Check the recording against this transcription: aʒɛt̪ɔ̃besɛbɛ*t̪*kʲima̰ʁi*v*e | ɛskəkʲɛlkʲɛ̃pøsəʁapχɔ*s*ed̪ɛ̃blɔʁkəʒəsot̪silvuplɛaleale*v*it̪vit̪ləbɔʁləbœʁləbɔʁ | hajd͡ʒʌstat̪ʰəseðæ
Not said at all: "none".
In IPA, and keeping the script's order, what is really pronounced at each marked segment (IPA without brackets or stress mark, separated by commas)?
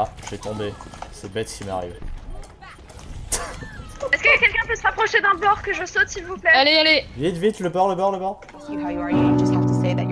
t̪, v, ʃ, v